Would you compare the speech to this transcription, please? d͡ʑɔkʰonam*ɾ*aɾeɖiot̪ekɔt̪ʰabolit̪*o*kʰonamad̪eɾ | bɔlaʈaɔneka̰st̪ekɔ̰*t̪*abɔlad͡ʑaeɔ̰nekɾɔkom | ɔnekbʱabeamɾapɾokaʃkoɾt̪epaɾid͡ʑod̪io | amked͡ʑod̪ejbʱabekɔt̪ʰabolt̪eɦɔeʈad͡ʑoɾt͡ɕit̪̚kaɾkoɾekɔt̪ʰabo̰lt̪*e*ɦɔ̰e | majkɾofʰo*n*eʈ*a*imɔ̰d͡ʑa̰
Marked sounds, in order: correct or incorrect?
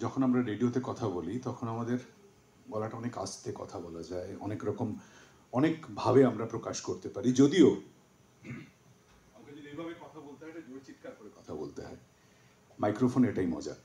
correct, incorrect: ɔ, incorrect: t̪ʰ, correct, correct, correct

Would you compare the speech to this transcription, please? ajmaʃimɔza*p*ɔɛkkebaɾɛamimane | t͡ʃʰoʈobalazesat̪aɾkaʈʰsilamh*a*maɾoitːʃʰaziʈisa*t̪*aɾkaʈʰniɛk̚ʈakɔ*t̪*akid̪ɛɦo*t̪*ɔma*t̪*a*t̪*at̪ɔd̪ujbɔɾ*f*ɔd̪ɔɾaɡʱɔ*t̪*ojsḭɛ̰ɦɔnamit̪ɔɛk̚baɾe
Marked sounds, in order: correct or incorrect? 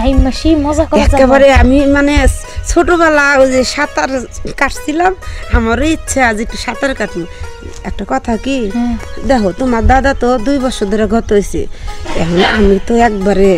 incorrect: k, correct, correct, incorrect: t̪ʰ, correct, incorrect: d̪, incorrect: d̪, incorrect: s, correct

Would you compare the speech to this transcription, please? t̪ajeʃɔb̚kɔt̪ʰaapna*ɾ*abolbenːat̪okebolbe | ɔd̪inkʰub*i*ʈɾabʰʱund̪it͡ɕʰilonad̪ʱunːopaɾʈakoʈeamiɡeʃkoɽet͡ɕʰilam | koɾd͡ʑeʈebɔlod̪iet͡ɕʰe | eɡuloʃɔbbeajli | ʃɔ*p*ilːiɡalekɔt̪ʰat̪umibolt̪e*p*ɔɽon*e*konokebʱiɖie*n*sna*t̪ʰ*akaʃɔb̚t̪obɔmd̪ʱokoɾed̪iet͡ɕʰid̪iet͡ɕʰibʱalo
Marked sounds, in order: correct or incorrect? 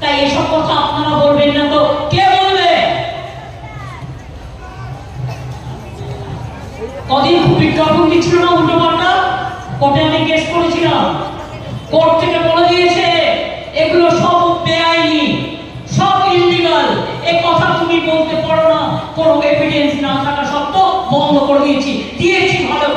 correct, correct, incorrect: b, correct, incorrect: a, correct, correct

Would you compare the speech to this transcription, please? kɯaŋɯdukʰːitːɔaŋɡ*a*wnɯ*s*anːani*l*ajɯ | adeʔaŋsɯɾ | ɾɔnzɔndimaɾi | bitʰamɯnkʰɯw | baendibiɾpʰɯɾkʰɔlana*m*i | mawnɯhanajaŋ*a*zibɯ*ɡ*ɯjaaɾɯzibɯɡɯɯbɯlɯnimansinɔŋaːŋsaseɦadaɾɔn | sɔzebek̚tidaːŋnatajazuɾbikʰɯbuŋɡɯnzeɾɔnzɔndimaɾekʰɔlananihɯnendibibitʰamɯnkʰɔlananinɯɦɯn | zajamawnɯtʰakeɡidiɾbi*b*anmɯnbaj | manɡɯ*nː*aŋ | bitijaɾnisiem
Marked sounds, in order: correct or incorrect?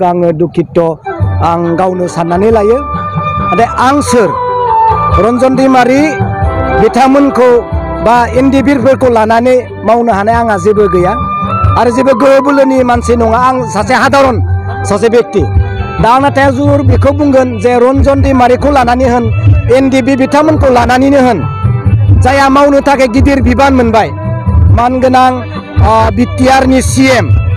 correct, correct, correct, incorrect: n, correct, correct, correct, incorrect: n

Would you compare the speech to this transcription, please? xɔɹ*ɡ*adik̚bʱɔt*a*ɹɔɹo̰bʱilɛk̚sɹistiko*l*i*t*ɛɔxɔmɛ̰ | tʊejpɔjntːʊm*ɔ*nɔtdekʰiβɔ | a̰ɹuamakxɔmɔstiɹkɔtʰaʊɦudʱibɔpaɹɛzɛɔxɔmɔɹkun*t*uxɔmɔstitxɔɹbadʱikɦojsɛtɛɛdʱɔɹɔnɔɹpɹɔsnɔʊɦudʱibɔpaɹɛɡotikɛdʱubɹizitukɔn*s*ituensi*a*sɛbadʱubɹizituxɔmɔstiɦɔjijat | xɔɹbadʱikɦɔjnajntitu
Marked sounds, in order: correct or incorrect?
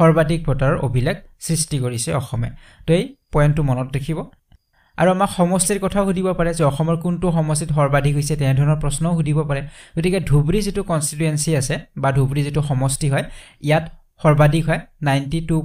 incorrect: b, correct, incorrect: ɹ, incorrect: s, correct, correct, correct, correct

